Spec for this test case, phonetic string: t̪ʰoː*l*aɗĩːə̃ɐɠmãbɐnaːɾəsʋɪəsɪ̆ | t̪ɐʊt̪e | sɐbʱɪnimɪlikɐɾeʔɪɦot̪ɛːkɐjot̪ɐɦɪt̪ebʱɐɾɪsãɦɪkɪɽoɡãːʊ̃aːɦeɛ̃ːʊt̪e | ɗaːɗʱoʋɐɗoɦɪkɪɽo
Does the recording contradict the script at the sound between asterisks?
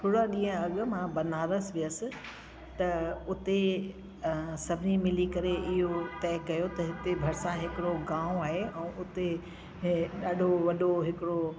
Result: yes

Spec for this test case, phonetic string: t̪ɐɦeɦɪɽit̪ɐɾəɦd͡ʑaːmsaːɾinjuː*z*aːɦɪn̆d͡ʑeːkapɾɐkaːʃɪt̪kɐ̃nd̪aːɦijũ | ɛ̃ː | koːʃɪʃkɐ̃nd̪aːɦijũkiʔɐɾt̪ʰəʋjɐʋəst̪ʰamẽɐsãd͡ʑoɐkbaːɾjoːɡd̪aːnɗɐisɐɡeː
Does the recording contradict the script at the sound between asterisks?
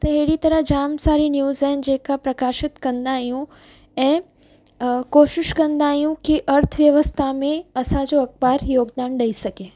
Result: no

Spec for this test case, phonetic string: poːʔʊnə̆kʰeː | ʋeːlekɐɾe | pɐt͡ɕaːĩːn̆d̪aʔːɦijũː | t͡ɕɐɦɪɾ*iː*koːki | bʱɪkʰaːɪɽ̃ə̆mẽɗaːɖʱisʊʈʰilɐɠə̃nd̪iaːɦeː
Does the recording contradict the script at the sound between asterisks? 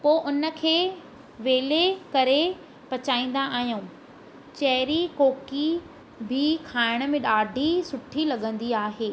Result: yes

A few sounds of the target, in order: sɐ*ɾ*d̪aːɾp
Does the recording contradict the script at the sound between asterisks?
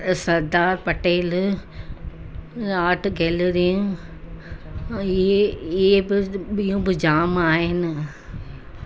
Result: no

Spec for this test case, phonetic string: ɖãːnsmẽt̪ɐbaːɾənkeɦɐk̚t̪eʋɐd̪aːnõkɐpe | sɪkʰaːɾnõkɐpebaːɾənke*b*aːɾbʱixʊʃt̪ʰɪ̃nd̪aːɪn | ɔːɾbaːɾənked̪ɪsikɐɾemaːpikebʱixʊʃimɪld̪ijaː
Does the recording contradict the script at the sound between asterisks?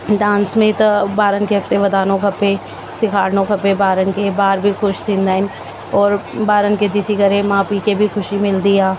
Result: no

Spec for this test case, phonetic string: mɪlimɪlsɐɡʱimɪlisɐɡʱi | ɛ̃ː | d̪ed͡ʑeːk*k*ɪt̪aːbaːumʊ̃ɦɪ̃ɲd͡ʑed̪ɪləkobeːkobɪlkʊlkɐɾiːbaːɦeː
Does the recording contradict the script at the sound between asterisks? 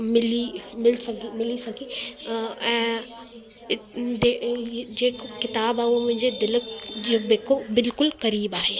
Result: no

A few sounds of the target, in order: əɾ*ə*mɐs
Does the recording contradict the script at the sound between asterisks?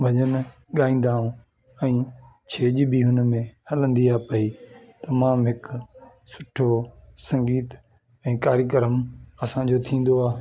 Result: no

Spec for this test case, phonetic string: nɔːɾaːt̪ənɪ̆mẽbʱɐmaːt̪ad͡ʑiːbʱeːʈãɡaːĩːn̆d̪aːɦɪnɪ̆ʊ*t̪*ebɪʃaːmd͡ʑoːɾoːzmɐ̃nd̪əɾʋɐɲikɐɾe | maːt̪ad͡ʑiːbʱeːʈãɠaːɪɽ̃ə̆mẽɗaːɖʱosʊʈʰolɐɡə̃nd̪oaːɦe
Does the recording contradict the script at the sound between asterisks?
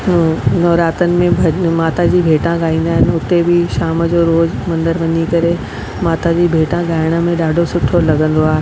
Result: no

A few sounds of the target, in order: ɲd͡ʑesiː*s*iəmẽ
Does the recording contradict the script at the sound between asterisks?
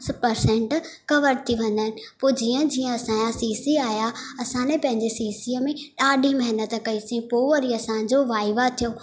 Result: no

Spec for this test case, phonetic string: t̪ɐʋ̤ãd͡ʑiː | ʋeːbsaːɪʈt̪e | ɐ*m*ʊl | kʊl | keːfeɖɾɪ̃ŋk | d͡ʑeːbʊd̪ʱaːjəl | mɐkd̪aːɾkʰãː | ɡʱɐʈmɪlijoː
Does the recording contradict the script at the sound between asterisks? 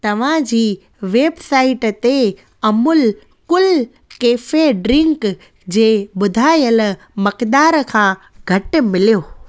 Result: no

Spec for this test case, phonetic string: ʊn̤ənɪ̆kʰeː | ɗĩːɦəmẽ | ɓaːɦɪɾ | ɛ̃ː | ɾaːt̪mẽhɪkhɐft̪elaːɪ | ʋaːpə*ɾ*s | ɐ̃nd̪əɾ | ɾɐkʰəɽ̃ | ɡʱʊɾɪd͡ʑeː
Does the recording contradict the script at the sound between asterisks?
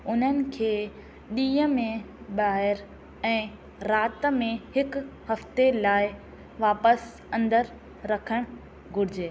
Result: yes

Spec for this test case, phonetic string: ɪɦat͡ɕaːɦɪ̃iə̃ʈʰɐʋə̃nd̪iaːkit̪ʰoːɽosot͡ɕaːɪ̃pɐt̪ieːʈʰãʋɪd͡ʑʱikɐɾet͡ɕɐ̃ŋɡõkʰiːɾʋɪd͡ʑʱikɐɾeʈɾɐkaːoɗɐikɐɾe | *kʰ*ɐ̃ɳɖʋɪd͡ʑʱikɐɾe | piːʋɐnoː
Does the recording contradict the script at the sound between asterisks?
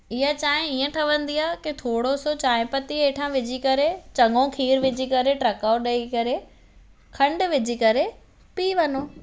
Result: no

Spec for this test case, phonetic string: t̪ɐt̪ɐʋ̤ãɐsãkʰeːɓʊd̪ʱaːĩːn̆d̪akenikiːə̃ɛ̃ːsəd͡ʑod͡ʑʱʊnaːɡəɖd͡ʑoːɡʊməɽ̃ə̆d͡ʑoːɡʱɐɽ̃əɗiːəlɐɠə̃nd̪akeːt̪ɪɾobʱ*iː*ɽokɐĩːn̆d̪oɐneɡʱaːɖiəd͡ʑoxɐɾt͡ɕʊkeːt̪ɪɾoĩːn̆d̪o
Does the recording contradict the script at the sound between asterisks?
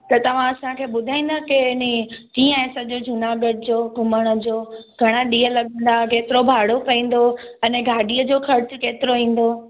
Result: yes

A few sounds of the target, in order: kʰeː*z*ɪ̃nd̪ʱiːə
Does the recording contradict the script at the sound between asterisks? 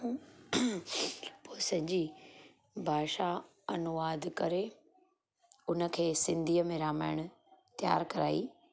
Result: yes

